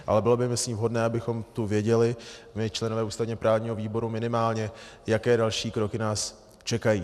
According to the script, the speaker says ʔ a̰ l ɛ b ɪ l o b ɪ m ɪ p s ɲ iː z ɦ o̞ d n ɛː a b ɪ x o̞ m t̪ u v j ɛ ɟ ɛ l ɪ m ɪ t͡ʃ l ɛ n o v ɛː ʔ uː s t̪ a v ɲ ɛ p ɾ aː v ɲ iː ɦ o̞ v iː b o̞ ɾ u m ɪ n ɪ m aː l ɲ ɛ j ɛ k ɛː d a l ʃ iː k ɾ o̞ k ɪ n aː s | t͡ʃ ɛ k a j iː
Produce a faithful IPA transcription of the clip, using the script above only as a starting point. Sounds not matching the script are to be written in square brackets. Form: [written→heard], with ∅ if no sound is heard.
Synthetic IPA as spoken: ʔ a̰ l ɛ b ɪ l o b ɪ m ɪ [p→∅] s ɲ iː [z→v] ɦ o̞ d n ɛː a b ɪ x o̞ m t̪ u v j ɛ ɟ ɛ l ɪ m ɪ t͡ʃ l ɛ n o v ɛː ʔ uː s t̪ a v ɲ ɛ p ɾ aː v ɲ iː ɦ o̞ v iː b o̞ ɾ u m ɪ n ɪ m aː l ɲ ɛ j [ɛ→a] k ɛː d a l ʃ iː k ɾ o̞ k ɪ n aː s | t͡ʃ ɛ k a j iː